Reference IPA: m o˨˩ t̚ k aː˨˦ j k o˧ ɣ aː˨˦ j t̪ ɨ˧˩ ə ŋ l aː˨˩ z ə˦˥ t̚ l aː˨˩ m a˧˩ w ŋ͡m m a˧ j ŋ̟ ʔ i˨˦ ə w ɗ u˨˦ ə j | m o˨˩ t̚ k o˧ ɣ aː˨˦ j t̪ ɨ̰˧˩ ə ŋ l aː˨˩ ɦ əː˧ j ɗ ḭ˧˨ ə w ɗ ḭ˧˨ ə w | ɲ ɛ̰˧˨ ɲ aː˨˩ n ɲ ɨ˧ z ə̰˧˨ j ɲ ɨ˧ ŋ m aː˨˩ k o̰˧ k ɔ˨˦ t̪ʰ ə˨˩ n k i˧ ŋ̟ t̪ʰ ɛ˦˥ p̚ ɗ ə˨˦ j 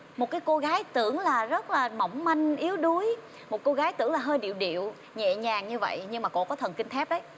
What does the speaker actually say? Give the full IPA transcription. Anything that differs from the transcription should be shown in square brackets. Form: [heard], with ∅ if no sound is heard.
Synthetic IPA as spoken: m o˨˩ t̚ k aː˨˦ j k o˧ ɣ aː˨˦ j t̪ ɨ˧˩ ə ŋ l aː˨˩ z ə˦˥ t̚ l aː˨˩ m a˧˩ w ŋ͡m m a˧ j ŋ̟ ʔ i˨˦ ə w ɗ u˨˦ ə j | m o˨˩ t̚ k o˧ ɣ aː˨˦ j t̪ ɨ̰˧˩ ə ŋ l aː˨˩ ɦ əː˧ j ɗ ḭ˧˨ ə w ɗ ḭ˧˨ ə w | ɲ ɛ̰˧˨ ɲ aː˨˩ [ŋ] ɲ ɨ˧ [v] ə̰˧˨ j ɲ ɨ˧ ŋ m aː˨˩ k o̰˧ k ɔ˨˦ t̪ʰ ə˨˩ n k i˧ ŋ̟ t̪ʰ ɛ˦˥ p̚ ɗ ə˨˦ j